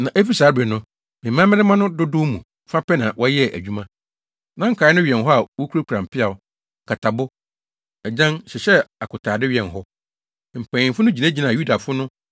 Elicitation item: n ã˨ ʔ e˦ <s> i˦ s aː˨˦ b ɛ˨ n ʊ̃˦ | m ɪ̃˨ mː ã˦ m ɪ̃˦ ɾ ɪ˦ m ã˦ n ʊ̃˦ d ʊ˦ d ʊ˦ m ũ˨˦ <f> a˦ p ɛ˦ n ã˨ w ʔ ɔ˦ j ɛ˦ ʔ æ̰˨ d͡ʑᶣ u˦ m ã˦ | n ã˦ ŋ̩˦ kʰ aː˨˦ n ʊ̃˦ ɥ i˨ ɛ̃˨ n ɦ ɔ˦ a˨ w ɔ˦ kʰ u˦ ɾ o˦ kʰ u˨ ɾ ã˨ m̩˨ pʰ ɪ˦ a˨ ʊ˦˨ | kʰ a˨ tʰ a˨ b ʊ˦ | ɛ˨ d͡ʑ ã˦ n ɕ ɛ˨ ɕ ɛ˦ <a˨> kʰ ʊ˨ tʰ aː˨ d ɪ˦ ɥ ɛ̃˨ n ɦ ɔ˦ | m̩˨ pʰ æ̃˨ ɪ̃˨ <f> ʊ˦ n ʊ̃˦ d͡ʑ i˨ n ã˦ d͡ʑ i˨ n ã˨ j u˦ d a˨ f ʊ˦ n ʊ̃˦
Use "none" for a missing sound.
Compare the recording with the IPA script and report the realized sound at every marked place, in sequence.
f, f, a˨, f

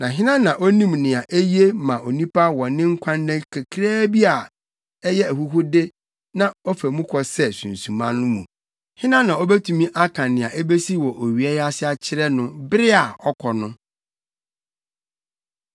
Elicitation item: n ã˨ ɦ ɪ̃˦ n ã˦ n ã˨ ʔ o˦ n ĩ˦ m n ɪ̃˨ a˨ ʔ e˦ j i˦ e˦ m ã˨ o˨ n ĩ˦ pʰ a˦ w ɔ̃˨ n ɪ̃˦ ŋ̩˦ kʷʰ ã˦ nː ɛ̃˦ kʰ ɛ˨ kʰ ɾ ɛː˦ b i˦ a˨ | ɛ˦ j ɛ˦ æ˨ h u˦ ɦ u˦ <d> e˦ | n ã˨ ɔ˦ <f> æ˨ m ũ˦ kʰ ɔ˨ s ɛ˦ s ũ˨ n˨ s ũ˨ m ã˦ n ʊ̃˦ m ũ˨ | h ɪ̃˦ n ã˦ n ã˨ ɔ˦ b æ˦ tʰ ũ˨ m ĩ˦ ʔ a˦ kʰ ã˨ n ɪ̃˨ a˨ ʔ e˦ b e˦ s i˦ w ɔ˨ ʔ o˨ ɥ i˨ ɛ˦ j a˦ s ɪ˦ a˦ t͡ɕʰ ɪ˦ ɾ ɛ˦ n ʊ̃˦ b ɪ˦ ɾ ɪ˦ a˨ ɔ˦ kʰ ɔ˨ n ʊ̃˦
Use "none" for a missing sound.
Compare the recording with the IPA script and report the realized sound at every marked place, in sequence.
d, f

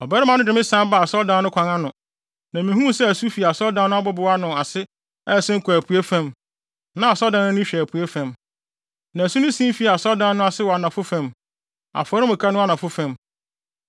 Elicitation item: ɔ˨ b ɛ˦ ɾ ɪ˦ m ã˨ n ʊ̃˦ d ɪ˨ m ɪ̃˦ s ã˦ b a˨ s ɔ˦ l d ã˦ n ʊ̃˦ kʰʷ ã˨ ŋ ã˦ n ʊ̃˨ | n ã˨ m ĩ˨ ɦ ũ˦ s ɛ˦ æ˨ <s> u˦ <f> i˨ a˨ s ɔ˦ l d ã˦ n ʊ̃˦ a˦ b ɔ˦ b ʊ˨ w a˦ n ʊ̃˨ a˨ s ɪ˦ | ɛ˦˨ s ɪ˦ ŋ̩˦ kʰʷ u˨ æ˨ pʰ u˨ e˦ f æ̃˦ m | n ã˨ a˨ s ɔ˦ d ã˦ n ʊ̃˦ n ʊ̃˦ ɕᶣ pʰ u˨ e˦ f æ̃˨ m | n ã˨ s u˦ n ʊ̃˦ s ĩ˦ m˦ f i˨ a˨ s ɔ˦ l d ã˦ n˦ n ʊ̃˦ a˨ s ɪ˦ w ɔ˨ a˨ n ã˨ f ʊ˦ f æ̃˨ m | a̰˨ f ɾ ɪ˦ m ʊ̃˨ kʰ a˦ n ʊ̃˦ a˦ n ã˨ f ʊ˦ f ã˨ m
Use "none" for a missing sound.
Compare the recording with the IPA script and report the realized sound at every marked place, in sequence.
s, f

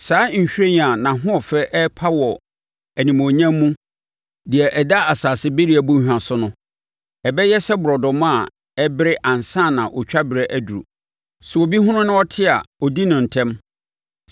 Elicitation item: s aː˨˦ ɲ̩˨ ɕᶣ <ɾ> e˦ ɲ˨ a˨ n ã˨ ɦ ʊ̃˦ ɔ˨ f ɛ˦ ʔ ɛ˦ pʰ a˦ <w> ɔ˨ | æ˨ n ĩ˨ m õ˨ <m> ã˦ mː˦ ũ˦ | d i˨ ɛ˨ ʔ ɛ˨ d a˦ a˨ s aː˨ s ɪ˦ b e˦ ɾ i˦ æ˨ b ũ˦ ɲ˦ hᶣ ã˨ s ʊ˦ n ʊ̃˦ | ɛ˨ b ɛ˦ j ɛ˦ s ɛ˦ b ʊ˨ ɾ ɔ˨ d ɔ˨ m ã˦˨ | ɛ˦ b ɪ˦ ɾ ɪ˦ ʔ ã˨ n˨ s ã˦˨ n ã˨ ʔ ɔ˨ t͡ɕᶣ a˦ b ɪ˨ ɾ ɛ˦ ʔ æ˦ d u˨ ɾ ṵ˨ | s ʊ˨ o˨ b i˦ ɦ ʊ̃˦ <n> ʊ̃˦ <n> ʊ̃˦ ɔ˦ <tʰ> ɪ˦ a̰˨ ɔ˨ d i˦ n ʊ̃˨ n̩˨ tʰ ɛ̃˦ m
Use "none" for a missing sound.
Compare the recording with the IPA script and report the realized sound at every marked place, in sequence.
ɾ, w, ɲ, n, n, tʰ

